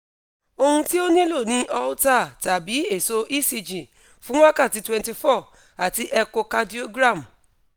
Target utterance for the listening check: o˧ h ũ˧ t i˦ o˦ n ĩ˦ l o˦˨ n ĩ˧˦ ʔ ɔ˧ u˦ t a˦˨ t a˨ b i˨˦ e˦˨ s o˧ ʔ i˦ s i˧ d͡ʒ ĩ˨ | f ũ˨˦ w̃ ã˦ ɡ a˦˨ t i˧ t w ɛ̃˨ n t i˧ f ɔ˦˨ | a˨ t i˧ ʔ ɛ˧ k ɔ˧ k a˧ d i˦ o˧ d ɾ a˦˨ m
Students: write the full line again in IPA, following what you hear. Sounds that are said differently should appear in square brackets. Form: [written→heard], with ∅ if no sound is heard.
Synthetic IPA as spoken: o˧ h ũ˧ t i˦ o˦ n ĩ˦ l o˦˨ n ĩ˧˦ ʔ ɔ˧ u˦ t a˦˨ t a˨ b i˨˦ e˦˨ s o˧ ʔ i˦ s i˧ d͡ʒ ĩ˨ | f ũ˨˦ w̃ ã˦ [ɡ→k] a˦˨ t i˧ t w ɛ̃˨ n t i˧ f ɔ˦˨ | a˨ t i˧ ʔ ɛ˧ k [ɔ˧→o˧] k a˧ d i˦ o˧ [d→ɡ] ɾ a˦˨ m